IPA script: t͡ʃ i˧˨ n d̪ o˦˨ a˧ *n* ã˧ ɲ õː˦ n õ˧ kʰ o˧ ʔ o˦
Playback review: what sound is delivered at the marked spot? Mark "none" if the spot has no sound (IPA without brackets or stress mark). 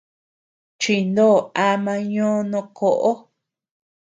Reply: m